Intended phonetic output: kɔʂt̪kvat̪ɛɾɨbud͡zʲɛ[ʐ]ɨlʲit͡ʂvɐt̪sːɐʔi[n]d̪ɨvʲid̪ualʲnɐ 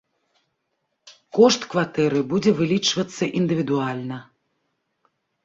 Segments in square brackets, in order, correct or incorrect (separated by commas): incorrect, correct